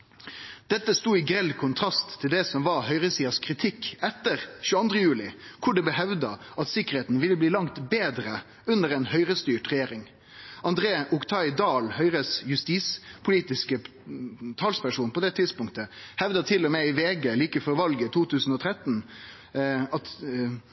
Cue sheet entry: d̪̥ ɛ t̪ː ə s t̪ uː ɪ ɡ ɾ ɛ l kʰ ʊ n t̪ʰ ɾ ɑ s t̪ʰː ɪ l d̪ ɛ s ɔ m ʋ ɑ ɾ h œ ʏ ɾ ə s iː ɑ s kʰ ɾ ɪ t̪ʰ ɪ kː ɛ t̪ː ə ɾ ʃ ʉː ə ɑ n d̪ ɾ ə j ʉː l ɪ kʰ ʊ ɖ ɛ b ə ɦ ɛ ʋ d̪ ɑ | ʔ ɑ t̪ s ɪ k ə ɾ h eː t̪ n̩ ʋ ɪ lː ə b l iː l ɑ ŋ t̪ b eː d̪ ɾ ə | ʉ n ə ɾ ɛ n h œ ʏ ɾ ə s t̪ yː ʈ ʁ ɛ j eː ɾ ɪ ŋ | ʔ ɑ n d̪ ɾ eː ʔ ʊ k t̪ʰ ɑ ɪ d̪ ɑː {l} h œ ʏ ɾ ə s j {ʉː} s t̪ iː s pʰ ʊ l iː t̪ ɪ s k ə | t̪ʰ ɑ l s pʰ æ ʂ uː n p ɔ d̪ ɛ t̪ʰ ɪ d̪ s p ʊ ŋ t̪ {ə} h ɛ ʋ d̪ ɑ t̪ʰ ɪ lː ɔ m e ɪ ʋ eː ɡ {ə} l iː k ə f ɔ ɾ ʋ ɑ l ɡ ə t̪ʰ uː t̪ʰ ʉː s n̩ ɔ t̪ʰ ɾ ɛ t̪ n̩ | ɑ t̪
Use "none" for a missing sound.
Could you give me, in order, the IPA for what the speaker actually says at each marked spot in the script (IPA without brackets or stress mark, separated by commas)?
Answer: l, ʉ, ə, ə